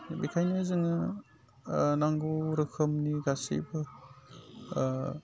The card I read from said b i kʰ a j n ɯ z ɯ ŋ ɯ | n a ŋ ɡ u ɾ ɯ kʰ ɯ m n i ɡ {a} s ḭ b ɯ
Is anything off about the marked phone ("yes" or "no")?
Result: no